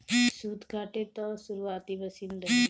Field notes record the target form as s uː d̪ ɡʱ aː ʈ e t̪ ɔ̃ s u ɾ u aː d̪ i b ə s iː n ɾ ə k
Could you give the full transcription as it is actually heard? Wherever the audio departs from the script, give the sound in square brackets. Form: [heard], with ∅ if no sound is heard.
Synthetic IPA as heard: s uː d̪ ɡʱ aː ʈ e t̪ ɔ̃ s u ɾ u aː [t̪] i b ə s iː n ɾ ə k